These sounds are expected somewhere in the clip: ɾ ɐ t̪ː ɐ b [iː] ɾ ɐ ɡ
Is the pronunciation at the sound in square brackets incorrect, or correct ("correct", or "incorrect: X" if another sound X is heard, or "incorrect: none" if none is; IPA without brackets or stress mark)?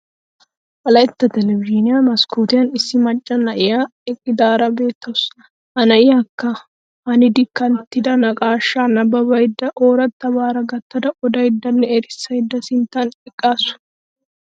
incorrect: aː